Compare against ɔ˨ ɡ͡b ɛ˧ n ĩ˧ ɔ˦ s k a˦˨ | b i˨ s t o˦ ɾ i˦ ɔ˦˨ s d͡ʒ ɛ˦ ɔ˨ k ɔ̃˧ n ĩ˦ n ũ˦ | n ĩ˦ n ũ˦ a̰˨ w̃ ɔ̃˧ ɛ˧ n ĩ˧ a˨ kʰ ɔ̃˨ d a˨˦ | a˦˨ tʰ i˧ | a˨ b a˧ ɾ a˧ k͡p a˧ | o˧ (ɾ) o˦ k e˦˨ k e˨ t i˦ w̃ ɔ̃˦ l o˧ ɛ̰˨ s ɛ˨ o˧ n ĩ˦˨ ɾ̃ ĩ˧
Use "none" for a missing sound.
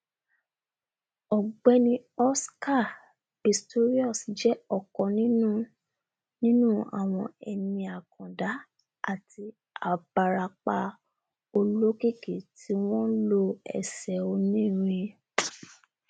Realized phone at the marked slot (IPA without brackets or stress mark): l